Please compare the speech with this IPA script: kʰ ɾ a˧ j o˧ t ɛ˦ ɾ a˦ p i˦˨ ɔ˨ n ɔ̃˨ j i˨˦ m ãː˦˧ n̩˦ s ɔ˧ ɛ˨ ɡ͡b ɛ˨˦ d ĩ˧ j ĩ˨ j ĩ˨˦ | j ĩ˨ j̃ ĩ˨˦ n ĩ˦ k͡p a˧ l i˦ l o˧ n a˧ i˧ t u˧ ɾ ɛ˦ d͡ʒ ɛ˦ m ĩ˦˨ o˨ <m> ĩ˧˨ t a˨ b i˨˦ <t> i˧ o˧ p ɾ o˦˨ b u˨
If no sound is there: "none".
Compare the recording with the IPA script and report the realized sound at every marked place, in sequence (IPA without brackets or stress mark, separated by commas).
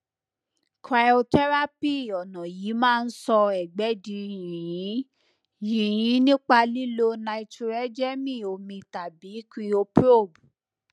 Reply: m, k